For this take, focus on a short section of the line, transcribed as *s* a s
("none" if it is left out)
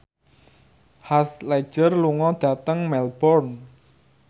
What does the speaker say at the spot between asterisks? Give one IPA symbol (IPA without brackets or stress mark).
h